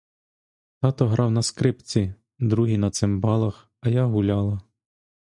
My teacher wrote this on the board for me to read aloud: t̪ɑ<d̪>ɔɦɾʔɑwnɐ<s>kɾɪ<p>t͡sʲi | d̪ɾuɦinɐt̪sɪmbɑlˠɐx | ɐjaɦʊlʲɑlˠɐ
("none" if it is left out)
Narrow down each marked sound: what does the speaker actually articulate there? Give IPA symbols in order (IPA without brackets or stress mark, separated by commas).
t̪, s, p